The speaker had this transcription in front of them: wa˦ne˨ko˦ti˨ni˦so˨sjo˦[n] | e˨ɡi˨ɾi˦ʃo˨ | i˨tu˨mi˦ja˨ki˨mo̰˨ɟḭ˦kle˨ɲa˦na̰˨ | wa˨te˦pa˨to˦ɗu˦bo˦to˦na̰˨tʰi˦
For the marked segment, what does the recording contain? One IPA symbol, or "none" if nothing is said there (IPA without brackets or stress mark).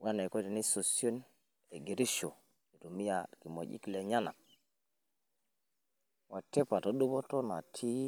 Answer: n